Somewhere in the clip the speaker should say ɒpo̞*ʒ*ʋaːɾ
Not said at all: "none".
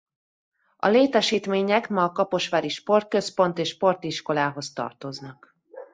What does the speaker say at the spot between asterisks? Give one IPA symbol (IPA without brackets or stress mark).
ʃ